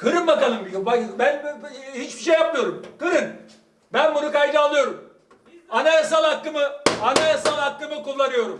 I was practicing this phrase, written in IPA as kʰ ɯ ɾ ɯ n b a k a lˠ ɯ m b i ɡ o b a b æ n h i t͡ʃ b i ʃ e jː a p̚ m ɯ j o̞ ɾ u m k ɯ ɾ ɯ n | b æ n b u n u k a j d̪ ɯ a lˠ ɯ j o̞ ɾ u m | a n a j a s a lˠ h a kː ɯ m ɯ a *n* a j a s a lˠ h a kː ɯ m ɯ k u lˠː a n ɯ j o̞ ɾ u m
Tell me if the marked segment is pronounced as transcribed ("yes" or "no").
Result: yes